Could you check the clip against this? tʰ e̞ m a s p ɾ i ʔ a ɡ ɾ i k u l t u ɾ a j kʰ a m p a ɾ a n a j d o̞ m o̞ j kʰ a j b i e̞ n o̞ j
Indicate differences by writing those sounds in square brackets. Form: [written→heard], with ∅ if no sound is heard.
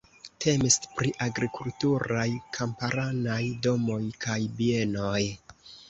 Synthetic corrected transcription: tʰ e̞ m [a→i] s p ɾ i ʔ a ɡ ɾ i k u l t u ɾ a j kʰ a m p a ɾ a n a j d o̞ m o̞ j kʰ a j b i e̞ n o̞ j